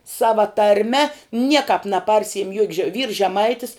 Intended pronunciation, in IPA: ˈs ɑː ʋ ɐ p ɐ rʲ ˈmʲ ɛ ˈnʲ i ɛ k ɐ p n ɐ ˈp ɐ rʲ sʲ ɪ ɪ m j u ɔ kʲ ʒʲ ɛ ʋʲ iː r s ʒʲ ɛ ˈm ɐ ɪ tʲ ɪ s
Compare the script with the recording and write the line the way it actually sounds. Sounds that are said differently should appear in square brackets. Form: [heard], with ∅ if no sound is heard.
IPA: ˈs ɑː ʋ ɐ [t] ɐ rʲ ˈmʲ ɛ ˈnʲ i ɛ k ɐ p n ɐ ˈp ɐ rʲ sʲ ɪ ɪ m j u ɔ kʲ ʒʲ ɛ ʋʲ iː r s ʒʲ ɛ ˈm ɐ ɪ tʲ ɪ s